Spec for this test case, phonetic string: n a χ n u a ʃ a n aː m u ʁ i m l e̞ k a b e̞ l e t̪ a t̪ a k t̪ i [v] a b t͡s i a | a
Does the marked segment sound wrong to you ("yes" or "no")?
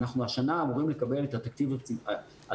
no